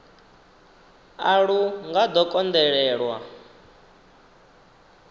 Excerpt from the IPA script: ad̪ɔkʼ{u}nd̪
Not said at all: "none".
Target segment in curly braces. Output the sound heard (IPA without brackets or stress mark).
ɔ